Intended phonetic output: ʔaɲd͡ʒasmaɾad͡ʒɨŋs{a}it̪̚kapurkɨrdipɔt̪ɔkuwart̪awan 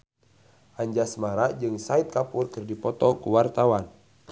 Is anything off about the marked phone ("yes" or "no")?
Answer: no